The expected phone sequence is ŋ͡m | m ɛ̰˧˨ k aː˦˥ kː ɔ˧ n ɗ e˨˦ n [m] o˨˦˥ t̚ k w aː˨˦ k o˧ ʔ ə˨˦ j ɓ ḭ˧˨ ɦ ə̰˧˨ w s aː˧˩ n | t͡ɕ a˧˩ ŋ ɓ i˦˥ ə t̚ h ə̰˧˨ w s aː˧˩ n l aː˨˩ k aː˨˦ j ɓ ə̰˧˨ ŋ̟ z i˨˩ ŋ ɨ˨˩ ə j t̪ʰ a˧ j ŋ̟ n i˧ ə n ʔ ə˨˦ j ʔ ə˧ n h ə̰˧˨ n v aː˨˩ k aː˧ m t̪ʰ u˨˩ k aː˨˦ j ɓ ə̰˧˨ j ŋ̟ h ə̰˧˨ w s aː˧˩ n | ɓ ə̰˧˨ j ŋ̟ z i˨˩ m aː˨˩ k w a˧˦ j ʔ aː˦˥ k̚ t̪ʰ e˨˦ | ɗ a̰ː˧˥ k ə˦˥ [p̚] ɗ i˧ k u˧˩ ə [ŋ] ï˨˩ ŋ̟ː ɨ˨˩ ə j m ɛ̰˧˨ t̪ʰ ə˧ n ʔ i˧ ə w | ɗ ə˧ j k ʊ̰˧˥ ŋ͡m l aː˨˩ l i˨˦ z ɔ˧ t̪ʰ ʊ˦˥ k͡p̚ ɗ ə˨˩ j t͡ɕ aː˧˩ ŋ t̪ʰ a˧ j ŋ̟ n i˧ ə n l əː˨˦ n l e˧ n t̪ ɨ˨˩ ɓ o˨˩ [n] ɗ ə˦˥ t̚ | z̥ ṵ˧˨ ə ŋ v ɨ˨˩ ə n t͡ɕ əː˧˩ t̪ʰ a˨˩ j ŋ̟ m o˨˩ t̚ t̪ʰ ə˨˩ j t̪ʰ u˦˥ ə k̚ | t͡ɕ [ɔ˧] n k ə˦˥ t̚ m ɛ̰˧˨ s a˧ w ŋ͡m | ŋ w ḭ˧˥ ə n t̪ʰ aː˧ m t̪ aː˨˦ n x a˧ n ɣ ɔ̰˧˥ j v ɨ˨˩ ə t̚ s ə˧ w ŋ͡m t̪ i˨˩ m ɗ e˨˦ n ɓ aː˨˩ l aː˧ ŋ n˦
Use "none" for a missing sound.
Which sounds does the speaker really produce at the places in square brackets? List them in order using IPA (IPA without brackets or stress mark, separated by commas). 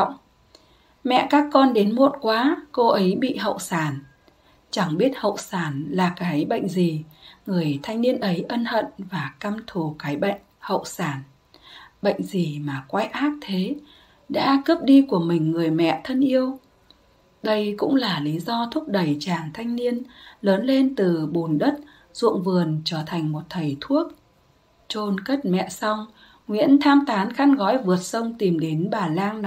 m, p̚, m, n, o˧